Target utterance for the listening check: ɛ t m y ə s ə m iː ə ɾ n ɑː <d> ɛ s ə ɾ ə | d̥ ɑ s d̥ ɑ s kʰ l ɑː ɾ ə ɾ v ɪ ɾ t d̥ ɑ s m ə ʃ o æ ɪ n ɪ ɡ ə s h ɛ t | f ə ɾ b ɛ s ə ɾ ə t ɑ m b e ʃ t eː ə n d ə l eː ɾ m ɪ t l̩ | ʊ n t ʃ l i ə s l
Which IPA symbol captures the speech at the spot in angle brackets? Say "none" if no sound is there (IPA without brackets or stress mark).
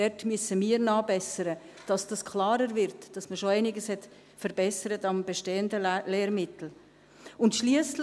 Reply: b